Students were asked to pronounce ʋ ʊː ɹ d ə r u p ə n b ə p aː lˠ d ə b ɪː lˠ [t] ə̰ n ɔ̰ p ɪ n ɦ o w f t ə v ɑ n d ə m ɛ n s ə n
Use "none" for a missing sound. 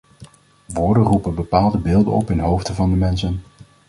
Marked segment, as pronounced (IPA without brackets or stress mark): d